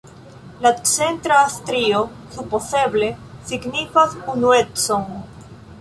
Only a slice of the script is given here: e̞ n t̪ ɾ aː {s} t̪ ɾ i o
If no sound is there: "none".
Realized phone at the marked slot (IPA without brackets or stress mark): s